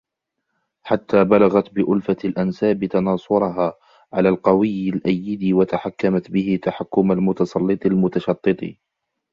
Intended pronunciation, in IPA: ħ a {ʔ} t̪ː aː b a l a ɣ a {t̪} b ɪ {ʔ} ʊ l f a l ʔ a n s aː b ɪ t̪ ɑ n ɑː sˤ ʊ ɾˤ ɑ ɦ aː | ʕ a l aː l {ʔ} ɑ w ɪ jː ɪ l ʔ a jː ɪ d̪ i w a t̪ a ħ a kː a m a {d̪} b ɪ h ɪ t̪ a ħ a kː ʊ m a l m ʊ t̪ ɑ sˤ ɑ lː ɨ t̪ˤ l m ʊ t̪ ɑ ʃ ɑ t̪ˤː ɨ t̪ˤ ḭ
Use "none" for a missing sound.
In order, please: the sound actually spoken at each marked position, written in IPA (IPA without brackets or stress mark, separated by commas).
none, t̪, ʔ, q, t̪